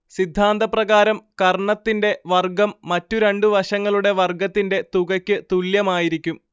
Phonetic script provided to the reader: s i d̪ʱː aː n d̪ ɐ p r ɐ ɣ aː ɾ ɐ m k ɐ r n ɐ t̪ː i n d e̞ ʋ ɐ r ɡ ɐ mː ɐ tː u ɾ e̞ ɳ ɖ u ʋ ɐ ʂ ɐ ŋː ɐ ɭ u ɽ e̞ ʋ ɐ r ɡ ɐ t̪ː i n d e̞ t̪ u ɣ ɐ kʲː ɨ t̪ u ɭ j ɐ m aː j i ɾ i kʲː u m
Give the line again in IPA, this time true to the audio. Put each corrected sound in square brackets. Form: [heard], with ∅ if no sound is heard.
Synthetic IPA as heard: s i d̪ʱː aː n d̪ ɐ p r ɐ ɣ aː ɾ ɐ m k ɐ r [ɳ] ɐ t̪ː i n d e̞ ʋ ɐ r ɡ ɐ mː ɐ tː u ɾ e̞ ɳ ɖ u ʋ ɐ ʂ ɐ ŋː ɐ ɭ u ɽ e̞ ʋ ɐ r ɡ ɐ t̪ː i n d e̞ t̪ u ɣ ɐ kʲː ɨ t̪ u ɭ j ɐ m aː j i ɾ i kʲː u m

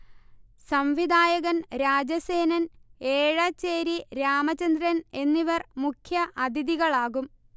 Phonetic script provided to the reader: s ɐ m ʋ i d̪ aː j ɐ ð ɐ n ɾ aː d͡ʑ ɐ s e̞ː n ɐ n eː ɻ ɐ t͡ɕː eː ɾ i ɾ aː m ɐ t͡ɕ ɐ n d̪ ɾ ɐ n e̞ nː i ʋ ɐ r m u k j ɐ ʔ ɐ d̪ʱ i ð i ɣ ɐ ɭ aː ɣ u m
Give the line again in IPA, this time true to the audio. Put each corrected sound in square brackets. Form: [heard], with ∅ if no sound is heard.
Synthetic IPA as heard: s ɐ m ʋ i d̪ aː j ɐ [ɣ] ɐ n ɾ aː d͡ʑ ɐ s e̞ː n ɐ n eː ɻ ɐ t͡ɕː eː ɾ i ɾ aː m ɐ t͡ɕ ɐ n d̪ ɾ ɐ n e̞ nː i ʋ ɐ r m u [kʰ] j ɐ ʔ ɐ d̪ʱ i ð i ɣ ɐ ɭ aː ɣ u m

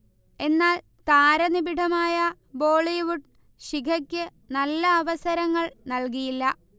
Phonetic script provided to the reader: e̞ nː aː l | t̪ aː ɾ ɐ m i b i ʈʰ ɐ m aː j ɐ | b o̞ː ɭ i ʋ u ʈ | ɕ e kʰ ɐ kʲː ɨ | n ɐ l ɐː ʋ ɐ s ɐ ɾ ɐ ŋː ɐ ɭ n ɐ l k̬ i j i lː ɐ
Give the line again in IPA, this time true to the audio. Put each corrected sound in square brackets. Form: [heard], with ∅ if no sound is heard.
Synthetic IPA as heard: e̞ nː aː l | t̪ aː ɾ ɐ [n] i b i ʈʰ ɐ m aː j ɐ | b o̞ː ɭ i ʋ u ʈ | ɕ [i] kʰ ɐ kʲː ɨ | n ɐ [lː] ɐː ʋ ɐ s ɐ ɾ ɐ ŋː ɐ ɭ n ɐ l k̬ i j i lː ɐ

